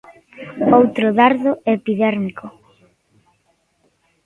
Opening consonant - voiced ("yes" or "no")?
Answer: yes